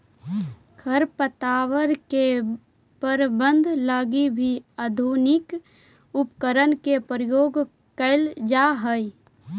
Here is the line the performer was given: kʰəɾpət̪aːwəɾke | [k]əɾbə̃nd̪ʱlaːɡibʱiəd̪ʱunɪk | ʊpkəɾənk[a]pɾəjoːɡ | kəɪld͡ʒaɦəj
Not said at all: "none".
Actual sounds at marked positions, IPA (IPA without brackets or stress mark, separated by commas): p, e